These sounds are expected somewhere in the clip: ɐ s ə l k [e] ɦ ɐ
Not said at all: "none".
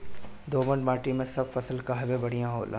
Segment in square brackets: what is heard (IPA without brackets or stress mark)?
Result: a